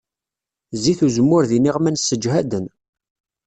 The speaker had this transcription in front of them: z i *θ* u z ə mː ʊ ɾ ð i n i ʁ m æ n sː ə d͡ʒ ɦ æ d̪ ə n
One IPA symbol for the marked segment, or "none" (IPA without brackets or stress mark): θ